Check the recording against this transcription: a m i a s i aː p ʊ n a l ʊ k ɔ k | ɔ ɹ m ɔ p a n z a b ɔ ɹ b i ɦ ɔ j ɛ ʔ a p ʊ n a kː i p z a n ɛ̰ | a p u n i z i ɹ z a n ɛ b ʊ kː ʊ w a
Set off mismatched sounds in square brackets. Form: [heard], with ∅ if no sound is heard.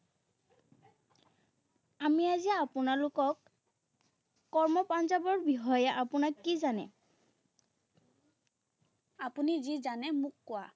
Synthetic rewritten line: a m i a [z] i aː p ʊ n a l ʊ k ɔ k | ɔ ɹ m ɔ p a n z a b ɔ ɹ b i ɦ ɔ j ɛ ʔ a p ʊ n a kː i [∅] z a n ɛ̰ | a p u n i z i [∅] z a n ɛ [m] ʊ kː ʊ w a